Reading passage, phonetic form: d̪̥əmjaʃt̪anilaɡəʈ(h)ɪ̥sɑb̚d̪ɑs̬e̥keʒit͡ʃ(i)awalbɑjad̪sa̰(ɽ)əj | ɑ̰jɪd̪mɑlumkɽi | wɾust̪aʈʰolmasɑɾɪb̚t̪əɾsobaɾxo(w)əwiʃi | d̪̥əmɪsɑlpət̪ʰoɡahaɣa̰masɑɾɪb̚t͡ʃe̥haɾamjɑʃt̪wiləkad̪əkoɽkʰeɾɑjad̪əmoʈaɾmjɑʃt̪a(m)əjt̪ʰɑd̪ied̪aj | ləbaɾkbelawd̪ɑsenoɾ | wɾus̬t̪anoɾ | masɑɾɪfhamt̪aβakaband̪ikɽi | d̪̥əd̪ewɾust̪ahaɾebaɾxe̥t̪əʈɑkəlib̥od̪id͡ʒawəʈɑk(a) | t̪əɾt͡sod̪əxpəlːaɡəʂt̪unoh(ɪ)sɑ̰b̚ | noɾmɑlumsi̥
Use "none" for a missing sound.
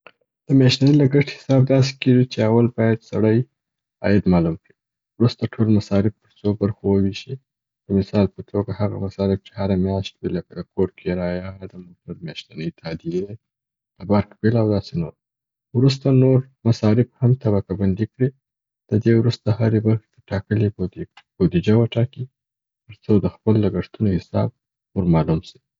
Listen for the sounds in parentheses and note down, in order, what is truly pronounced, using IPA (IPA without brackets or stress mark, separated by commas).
h, e, ɽ, w, n, i, ɪ